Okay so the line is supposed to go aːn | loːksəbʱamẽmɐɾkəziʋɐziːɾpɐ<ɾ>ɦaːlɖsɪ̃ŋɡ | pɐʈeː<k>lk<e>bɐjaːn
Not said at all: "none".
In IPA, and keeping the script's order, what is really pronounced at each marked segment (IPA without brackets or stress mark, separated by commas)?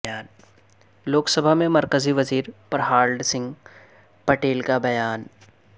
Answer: ɾ, none, a